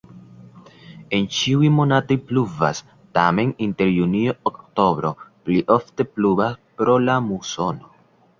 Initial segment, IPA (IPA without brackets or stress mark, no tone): e̞